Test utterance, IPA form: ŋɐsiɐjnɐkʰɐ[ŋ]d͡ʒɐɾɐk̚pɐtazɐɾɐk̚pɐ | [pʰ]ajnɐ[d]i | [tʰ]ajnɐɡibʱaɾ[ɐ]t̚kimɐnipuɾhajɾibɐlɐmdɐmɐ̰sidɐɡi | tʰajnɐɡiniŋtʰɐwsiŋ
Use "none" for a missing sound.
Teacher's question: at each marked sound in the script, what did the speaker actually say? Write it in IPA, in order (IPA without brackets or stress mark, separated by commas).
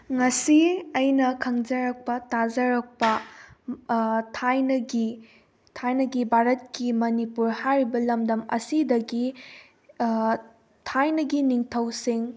ŋ, tʰ, ɡ, tʰ, ɐ